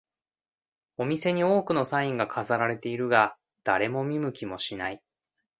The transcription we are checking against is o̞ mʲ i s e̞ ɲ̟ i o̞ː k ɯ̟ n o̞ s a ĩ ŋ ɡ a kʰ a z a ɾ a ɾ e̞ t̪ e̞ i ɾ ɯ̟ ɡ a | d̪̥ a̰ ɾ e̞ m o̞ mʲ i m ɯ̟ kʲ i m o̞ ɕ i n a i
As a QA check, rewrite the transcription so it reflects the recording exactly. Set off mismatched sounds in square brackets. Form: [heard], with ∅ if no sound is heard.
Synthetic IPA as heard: o̞ mʲ i s e̞ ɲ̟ i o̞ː k ɯ̟ n o̞ s a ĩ ŋ ɡ a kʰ a z a ɾ a ɾ e̞ t̪ e̞ i ɾ ɯ̟ ɡ a | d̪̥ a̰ ɾ e̞ m o̞ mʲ i m ɯ̟ kʲ i m o̞ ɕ i n a i